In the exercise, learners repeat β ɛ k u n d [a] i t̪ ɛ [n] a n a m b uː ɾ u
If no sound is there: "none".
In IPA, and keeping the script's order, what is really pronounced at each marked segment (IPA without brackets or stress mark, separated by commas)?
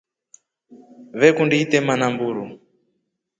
i, m